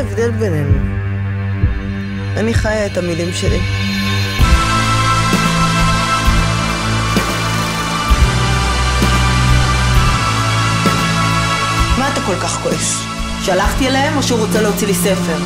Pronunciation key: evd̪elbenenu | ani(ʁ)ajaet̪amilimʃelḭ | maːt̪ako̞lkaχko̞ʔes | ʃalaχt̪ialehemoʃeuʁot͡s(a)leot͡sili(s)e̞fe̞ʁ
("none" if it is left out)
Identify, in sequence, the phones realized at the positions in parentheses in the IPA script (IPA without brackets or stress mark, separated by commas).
χ, e, s